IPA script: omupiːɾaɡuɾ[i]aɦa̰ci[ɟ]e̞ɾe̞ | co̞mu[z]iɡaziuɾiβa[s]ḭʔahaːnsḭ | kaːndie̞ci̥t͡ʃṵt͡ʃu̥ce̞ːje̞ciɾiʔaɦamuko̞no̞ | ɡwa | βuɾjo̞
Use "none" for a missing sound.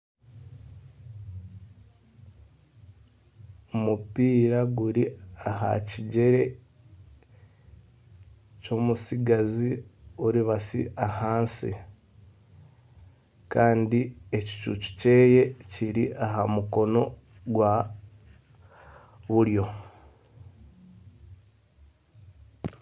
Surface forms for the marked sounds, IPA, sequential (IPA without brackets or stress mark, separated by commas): i, ɟ, s, s